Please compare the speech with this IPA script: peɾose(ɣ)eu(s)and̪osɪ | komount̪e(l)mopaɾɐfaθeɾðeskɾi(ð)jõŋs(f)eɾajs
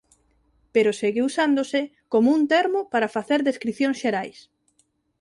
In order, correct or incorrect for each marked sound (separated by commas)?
correct, correct, incorrect, incorrect, incorrect